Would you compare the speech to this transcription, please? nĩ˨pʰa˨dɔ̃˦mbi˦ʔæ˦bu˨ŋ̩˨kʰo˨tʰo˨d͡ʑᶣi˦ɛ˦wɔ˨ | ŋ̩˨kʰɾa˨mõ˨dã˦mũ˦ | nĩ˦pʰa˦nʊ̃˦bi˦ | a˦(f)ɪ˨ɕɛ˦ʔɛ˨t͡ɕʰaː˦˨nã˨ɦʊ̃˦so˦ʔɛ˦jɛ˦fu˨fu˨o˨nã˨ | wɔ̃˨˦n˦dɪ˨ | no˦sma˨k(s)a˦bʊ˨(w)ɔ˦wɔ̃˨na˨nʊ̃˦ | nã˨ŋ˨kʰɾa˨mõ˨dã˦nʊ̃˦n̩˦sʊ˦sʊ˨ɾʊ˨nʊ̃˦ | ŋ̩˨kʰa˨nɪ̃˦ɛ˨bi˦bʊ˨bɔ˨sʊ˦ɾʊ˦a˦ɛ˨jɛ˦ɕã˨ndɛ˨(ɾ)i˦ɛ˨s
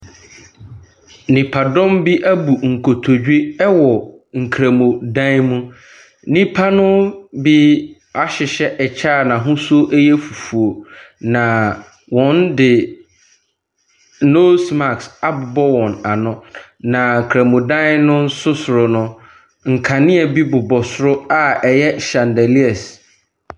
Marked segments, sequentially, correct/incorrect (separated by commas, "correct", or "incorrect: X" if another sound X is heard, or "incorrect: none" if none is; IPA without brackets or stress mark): incorrect: ɕ, correct, incorrect: b, incorrect: l